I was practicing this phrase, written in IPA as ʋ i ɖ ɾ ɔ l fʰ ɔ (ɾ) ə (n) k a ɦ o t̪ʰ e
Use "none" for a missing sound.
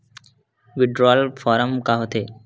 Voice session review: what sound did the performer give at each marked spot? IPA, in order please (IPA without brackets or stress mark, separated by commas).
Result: ɾ, m